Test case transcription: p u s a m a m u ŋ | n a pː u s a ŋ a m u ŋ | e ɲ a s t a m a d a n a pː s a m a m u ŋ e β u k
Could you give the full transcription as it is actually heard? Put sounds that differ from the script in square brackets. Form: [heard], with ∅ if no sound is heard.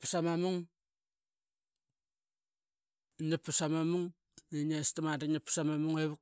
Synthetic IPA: p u s a m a m u ŋ | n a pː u s a [m] a m u ŋ | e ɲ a s t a m a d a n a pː s a m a m u ŋ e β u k